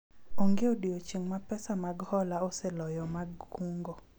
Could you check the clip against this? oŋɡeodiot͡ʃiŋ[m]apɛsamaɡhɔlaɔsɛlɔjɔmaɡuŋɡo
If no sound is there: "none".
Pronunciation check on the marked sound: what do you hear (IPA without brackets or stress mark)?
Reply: m